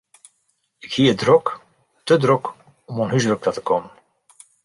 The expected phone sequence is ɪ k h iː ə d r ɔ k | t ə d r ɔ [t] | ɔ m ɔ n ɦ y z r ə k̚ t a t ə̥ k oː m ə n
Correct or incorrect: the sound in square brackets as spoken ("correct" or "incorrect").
incorrect